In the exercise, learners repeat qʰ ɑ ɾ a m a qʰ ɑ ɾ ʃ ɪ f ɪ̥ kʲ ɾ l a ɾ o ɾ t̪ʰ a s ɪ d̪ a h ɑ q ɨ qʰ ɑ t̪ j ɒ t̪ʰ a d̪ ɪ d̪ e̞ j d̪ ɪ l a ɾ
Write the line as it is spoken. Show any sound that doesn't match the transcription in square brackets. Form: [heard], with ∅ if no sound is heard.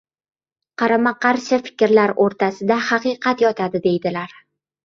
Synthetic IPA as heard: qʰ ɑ ɾ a m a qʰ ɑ ɾ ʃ ɪ f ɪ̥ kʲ ɾ l a ɾ o ɾ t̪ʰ a s ɪ d̪ a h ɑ q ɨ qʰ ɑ t̪ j ɒ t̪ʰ a d̪ ɪ d̪ e̞ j d̪ ɪ l a ɾ

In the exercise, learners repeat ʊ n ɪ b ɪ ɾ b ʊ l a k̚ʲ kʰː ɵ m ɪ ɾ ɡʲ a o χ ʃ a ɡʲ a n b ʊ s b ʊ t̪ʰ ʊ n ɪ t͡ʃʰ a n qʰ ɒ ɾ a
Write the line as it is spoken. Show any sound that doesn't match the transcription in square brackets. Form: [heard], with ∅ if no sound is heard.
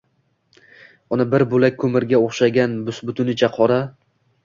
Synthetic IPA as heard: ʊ n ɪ b ɪ ɾ b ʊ l a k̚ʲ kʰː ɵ m ɪ ɾ ɡʲ a o χ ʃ a ɡʲ a n b ʊ s b ʊ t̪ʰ ʊ n ɪ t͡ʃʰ a [∅] qʰ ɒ ɾ a

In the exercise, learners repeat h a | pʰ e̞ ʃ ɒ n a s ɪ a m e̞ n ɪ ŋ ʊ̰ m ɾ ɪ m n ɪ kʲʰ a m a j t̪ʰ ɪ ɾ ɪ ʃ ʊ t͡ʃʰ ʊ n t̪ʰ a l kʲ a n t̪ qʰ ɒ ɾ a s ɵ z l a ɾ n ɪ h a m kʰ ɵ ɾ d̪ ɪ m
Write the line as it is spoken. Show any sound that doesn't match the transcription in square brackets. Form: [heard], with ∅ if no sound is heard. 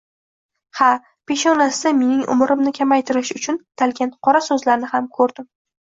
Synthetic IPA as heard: h a | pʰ e̞ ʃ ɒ n a s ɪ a m e̞ n ɪ ŋ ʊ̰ m ɾ ɪ m n ɪ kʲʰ a m a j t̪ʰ ɪ ɾ ɪ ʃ ʊ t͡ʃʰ ʊ n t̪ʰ a l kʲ a n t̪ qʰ ɒ ɾ a s ɵ z l a ɾ n ɪ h a m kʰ ɵ ɾ d̪ ɪ m

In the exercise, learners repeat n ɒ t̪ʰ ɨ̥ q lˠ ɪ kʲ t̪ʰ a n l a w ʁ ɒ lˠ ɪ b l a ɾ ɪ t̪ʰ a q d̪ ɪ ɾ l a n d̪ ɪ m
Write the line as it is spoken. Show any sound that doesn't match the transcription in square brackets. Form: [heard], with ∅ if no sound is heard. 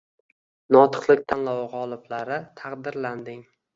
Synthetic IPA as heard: n ɒ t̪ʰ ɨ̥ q lˠ ɪ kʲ t̪ʰ a n l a w ʁ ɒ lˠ ɪ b l a ɾ ɪ t̪ʰ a q d̪ ɪ ɾ l a n d̪ ɪ [ŋ]

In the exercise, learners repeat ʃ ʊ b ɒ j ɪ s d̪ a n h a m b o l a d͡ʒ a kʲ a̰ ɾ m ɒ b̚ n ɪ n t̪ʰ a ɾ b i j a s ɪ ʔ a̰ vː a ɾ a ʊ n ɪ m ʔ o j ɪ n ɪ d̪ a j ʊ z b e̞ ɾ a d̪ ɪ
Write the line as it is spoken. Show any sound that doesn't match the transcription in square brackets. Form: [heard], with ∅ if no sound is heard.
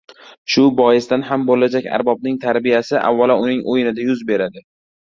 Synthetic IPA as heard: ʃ ʊ b ɒ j ɪ s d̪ a n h a m b o l a d͡ʒ a kʲ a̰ ɾ [b] ɒ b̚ n ɪ [ŋ] t̪ʰ a ɾ b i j a s ɪ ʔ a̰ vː a [l] a ʊ n ɪ [ŋ] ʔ o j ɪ n ɪ d̪ a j ʊ z b e̞ ɾ a d̪ ɪ

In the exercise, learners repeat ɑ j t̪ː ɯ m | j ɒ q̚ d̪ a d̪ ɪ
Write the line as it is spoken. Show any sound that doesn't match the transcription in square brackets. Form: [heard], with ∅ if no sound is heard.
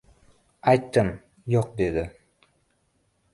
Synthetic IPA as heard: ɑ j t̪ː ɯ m | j [o] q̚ d̪ [e] d̪ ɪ

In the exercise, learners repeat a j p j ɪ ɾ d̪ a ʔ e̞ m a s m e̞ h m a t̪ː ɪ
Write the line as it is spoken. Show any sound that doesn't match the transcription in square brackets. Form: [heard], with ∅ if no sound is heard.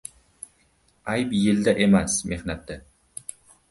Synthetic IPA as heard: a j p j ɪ [l] d̪ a ʔ e̞ m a s m e̞ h [n] a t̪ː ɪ

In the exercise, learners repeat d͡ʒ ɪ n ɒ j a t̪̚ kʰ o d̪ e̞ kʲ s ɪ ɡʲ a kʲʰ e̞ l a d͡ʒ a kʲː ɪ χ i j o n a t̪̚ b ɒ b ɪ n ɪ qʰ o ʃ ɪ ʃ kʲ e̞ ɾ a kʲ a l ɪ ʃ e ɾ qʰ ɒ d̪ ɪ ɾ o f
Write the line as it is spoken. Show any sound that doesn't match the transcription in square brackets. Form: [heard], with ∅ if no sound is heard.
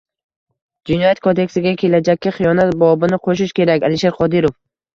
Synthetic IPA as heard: d͡ʒ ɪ n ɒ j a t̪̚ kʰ o d̪ e̞ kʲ s ɪ ɡʲ a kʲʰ e̞ l a d͡ʒ a kʲː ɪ χ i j [ɒ] n a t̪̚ b ɒ b ɪ n ɪ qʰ o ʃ ɪ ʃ kʲ e̞ ɾ a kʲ a l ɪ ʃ e ɾ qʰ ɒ d̪ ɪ ɾ o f

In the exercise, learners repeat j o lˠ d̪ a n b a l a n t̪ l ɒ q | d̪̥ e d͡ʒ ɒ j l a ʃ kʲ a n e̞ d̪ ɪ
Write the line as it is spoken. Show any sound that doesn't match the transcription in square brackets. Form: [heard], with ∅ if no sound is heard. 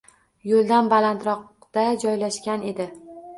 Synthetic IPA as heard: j o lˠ d̪ a n b a l a n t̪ [ɾ] ɒ q | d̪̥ [a] d͡ʒ ɒ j l a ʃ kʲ a n e̞ d̪ ɪ

